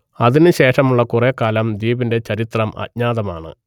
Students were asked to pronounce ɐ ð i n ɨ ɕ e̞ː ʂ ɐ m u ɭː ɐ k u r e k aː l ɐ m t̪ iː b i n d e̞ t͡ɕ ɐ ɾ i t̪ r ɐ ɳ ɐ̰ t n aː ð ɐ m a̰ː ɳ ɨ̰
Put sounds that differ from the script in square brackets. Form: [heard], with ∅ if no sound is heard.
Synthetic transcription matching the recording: ɐ ð i n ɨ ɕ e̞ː ʂ ɐ m u ɭː ɐ k u r e k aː l ɐ m [d̪] iː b i n d e̞ t͡ɕ ɐ ɾ i t̪ r ɐ [m] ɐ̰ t [ɲ] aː ð ɐ m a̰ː ɳ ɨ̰